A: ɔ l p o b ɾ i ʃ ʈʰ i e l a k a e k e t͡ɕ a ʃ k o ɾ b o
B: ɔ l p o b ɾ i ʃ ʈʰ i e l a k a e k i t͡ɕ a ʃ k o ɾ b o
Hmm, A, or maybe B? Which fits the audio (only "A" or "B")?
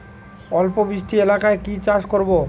B